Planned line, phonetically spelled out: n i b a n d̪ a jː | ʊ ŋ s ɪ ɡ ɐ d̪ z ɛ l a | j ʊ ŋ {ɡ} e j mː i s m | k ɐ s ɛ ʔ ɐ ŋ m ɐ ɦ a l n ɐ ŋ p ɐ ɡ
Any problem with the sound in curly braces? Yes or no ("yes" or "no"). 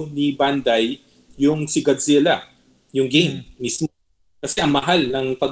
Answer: no